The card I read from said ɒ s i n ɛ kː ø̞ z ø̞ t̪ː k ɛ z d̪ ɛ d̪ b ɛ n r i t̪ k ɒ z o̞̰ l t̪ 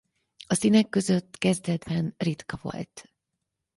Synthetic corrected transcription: ɒ s i n ɛ kː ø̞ z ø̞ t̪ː k ɛ z d̪ ɛ d̪ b ɛ n r i t̪ k ɒ v o̞̰ l t̪